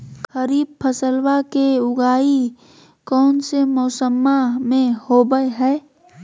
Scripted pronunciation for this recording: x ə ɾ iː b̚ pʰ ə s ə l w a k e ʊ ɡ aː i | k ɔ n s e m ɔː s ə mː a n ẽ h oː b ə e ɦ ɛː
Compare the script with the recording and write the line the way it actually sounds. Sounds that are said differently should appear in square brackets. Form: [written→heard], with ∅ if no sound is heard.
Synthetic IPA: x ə ɾ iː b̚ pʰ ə s ə l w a k e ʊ ɡ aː i | k [ɔ→ɔː] n s e m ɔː s ə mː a [n→m] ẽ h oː b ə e ɦ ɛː